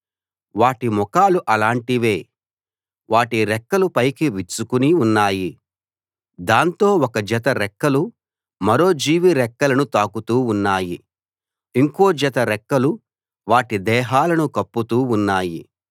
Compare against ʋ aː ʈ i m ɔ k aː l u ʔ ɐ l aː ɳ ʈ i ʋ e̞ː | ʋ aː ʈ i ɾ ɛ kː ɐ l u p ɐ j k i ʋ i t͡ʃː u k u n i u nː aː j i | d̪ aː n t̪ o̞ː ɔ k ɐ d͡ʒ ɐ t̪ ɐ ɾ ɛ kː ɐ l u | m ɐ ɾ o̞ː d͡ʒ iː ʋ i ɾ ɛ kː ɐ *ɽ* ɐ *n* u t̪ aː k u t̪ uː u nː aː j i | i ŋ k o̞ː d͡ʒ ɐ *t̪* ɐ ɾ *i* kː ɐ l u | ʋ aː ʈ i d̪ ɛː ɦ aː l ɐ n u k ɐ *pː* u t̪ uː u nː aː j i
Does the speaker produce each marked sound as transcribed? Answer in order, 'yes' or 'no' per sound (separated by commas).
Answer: no, yes, yes, no, yes